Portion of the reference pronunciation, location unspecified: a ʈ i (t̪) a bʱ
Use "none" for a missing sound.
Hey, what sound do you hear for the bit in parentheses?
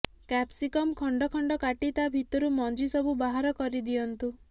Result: t̪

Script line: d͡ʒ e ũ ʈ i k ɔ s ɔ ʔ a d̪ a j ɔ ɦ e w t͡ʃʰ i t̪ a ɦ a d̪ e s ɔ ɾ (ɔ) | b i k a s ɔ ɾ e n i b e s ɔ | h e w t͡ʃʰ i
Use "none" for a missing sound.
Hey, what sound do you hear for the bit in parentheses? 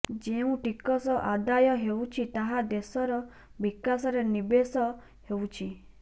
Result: ɔ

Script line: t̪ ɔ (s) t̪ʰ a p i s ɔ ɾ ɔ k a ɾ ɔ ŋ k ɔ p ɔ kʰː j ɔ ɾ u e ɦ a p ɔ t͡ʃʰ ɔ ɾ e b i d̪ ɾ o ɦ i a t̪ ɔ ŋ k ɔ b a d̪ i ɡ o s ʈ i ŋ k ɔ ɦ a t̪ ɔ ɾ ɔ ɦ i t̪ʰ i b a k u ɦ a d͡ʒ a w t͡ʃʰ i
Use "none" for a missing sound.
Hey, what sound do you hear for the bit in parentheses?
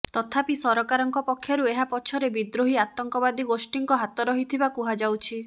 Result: none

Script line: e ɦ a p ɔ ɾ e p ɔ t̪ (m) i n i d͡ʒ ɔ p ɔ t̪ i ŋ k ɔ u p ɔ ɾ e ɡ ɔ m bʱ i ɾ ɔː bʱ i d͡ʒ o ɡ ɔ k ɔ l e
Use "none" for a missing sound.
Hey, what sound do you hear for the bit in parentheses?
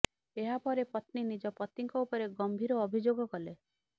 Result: n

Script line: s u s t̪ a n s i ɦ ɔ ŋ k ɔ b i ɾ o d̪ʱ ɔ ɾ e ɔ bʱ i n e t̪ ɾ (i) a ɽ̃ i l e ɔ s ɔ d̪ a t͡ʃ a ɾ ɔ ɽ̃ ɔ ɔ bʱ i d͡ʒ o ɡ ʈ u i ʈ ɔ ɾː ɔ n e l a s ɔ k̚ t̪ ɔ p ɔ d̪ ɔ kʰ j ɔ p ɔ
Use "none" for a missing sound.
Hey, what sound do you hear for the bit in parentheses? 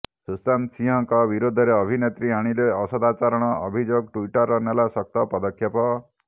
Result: i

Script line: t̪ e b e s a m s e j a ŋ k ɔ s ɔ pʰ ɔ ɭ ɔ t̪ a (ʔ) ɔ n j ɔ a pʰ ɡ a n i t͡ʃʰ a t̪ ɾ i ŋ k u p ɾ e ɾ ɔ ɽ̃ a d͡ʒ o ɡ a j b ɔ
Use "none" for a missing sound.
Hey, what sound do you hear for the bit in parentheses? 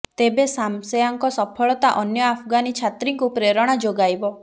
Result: ʔ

